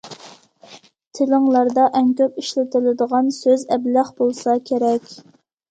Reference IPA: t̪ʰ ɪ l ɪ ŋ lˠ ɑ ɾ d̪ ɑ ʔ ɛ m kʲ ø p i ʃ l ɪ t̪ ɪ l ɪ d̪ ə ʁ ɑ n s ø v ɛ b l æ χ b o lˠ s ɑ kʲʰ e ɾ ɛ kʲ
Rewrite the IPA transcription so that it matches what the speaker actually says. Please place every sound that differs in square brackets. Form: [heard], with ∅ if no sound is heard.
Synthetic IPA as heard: t̪ʰ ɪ l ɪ ŋ lˠ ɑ ɾ d̪ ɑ ʔ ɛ [ŋ] kʲ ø p i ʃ l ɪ t̪ ɪ l ɪ d̪ ə ʁ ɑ n s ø [z] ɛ b l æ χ b o lˠ s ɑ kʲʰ e ɾ ɛ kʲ